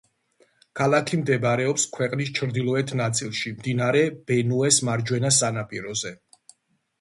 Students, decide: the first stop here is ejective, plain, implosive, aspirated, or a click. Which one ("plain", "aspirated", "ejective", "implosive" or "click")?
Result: aspirated